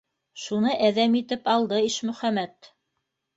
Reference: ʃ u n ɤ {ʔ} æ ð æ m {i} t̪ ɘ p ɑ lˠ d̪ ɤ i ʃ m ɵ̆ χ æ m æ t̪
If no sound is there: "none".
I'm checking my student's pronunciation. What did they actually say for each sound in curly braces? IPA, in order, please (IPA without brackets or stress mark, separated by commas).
ʔ, i